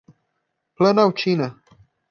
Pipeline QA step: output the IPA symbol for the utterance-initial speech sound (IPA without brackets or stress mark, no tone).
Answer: p